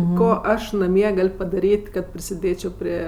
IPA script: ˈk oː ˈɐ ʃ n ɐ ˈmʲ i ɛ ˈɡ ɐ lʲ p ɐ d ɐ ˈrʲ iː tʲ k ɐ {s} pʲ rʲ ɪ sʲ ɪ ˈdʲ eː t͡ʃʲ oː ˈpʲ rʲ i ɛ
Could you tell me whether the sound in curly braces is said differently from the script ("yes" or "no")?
yes